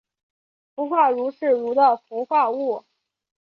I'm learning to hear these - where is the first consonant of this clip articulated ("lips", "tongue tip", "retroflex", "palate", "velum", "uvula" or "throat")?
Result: lips